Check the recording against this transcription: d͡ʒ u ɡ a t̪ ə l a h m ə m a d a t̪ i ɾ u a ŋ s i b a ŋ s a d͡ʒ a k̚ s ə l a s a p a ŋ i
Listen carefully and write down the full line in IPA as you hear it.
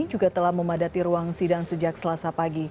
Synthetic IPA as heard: d͡ʒ u ɡ a t̪ ə l a h m ə m a d a t̪ i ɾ u a ŋ s i d a ŋ s ə d͡ʒ a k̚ s ə l a s a p a ɡ i